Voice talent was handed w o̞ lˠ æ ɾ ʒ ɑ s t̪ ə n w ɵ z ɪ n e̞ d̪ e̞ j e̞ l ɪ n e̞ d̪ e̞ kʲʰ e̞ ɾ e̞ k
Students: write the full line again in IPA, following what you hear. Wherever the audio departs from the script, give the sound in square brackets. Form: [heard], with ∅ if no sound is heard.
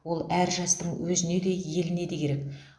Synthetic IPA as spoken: w o̞ lˠ æ ɾ ʒ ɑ s t̪ ə [ɴ] w ɵ z ɪ n e̞ d̪ e̞ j e̞ l ɪ n e̞ d̪ e̞ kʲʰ e̞ ɾ e̞ k